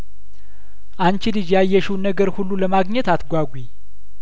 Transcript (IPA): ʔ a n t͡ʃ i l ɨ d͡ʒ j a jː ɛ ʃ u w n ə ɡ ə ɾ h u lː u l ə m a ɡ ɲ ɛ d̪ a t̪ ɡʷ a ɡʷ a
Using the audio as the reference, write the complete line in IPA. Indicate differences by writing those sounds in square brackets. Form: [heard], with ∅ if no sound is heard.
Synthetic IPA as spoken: ʔ a n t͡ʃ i l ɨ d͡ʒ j a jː ɛ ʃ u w n ə ɡ ə ɾ h u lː u l ə m a ɡ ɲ ɛ [t̪] a t̪ ɡʷ a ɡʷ [i]